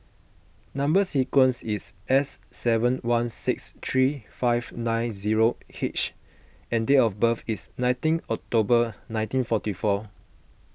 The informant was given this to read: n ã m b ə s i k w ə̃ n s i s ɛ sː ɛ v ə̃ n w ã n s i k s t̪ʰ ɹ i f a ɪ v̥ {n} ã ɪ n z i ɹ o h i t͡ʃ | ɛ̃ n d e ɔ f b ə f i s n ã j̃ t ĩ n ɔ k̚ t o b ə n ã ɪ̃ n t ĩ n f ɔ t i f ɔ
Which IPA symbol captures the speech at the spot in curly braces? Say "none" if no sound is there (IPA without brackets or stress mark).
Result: n